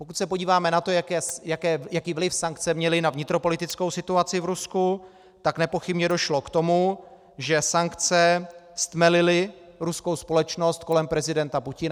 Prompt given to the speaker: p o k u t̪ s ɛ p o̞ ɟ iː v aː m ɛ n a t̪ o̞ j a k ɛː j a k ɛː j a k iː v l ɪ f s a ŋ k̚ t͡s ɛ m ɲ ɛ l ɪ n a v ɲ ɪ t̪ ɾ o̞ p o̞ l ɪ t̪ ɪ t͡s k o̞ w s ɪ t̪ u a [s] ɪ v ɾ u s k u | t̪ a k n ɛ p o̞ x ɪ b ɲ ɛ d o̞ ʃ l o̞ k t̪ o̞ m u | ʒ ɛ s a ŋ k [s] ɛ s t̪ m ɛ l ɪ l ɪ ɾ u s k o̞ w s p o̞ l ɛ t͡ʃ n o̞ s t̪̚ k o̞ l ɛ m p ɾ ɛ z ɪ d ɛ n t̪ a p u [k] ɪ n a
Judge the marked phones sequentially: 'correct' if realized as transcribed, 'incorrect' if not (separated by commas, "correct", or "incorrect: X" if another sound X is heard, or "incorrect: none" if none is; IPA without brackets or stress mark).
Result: incorrect: t͡s, incorrect: t͡s, incorrect: c